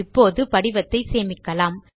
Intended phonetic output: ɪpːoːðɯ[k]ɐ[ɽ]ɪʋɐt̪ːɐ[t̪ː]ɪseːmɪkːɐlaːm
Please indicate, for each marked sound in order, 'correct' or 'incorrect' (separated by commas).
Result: incorrect, correct, incorrect